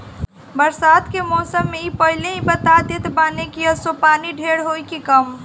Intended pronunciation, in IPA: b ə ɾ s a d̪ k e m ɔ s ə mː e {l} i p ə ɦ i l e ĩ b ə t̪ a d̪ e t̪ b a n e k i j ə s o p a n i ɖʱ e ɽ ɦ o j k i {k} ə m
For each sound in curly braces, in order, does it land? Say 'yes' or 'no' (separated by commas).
no, yes